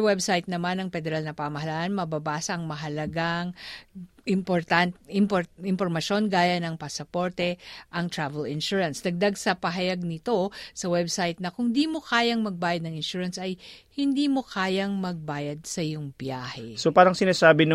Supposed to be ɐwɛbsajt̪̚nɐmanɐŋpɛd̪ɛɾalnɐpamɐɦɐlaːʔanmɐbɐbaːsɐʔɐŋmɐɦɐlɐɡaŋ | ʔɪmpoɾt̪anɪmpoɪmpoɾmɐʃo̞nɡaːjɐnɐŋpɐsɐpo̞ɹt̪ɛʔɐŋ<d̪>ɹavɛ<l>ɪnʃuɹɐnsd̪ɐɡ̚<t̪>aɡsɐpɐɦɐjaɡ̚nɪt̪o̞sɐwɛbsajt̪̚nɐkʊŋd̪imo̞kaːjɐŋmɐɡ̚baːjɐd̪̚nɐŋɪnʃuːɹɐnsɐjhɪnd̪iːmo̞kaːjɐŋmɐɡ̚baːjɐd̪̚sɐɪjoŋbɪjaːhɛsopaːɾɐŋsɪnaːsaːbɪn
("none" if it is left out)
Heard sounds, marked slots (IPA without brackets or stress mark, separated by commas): t̪, l, d̪